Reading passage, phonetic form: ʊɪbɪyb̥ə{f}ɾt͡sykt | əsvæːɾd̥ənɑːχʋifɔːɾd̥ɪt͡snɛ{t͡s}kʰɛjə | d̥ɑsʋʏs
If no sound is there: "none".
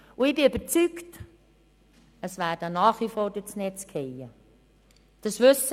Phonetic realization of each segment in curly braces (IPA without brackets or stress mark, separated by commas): none, t͡s